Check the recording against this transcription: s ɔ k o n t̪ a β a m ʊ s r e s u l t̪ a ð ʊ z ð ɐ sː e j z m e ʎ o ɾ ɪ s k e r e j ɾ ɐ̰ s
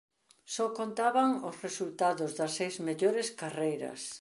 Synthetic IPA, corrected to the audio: s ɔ k o n t̪ a β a ŋ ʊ s r e s u l t̪ a ð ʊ z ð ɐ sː e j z m e ʎ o ɾ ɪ s k a r e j ɾ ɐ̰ s

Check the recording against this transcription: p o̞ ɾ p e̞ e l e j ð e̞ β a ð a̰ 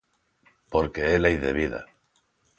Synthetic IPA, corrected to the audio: p o̞ ɾ k e̞ e l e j ð e̞ β i ð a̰

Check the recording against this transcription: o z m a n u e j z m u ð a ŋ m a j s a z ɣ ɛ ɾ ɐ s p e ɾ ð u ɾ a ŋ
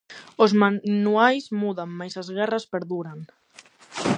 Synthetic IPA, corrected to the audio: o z m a n u a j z m u ð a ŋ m a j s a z ɣ ɛ r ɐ s p e ɾ ð u ɾ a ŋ

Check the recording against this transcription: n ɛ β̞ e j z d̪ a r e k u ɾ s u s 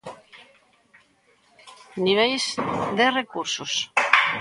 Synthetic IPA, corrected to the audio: n i β̞ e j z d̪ e r e k u ɾ s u s

